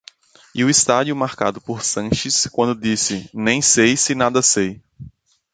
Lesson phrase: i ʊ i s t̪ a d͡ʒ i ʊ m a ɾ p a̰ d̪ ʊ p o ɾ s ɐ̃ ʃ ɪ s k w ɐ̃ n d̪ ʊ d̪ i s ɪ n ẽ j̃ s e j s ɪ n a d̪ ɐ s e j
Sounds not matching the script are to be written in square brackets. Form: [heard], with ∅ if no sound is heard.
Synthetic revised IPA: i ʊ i s t̪ a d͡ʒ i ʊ m a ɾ [k] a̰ d̪ ʊ p o ɾ s ɐ̃ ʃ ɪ s k w ɐ̃ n d̪ ʊ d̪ i s ɪ n ẽ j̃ s e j s ɪ n a d̪ ɐ s e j